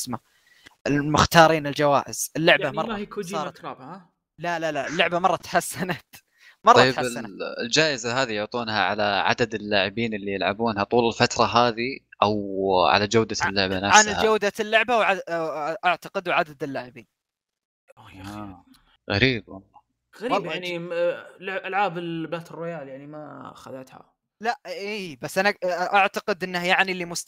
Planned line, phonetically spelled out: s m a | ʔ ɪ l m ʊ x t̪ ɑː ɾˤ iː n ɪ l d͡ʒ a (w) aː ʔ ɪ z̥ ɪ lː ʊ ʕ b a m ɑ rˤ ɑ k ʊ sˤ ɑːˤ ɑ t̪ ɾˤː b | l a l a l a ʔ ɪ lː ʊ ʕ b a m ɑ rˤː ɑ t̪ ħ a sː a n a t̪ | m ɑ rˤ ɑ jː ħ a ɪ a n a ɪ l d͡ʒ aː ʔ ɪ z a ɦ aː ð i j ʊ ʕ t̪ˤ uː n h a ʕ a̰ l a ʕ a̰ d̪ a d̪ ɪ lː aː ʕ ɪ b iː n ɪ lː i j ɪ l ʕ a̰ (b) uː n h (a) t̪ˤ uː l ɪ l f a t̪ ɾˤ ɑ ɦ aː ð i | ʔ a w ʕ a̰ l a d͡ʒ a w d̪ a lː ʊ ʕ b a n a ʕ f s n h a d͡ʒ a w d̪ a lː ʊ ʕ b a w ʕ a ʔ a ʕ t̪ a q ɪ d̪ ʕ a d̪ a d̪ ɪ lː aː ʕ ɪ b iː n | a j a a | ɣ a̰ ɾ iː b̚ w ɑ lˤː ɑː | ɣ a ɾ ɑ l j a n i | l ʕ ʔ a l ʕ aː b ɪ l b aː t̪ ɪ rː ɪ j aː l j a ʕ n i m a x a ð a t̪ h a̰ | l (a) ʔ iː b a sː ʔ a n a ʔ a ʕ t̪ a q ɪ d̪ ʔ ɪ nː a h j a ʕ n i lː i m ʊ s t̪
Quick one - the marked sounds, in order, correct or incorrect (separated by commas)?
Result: correct, correct, correct, correct